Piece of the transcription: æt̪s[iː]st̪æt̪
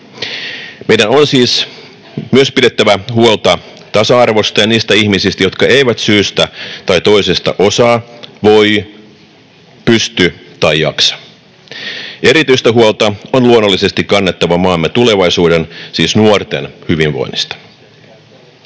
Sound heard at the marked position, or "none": yː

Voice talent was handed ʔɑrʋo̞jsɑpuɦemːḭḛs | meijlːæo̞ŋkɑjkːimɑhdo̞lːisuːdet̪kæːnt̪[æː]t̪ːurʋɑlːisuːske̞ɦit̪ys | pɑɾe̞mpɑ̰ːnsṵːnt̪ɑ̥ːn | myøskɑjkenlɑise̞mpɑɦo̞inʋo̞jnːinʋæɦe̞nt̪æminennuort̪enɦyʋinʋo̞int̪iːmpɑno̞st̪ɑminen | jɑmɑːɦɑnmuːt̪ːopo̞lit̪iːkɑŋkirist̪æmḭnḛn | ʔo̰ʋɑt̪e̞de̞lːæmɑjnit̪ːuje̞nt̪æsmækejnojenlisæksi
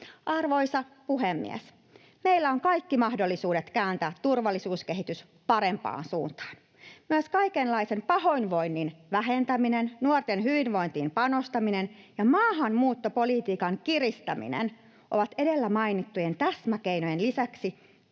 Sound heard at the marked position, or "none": æː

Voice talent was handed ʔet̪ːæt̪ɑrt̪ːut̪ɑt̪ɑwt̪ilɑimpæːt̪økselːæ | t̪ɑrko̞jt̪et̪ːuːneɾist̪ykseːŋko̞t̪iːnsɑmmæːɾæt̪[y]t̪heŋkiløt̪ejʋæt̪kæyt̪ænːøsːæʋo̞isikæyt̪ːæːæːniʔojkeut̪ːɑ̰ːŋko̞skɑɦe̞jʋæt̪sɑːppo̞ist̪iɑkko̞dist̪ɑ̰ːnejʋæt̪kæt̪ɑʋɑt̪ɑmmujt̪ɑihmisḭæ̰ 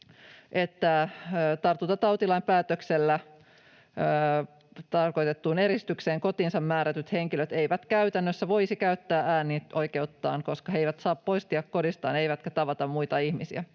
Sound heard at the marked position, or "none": y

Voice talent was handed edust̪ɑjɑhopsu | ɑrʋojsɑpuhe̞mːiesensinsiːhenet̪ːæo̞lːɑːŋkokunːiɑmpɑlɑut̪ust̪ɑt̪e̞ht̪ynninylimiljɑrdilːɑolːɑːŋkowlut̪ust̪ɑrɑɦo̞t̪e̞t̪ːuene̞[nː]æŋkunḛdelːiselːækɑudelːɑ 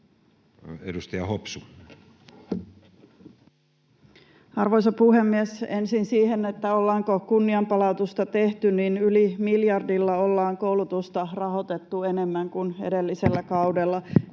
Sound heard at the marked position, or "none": mː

